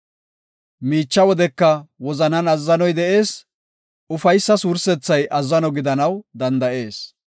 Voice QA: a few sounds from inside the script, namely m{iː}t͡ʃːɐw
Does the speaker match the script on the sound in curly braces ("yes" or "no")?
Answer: yes